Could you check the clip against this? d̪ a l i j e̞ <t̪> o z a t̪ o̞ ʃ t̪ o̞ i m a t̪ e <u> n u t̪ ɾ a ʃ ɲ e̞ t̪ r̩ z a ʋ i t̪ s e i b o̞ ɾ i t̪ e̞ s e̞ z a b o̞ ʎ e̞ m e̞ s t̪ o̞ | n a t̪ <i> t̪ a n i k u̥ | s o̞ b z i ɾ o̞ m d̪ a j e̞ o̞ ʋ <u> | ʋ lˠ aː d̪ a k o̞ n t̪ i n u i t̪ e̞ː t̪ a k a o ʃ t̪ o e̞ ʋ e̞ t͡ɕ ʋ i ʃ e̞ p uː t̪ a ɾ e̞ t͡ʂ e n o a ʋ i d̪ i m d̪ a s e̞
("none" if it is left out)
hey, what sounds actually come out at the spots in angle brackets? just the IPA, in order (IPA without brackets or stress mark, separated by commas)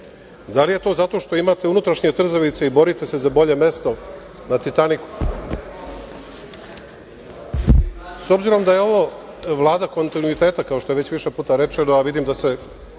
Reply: t̪, u, i, o